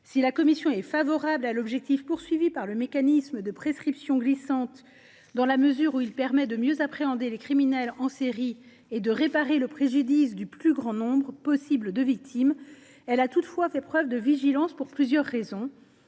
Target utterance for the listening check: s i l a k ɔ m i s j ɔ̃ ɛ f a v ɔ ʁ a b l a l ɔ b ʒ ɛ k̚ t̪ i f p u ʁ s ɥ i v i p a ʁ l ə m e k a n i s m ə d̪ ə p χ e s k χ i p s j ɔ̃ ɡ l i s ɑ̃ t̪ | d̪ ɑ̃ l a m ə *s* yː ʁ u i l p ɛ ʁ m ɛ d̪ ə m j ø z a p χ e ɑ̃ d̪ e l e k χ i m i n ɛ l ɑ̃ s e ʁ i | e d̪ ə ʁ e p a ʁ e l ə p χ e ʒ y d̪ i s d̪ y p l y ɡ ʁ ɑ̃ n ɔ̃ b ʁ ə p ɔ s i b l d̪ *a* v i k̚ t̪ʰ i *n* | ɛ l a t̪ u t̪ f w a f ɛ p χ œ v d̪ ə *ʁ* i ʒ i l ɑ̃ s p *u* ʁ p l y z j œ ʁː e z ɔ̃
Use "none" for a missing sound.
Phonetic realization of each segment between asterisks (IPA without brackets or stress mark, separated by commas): z, ə, m, v, u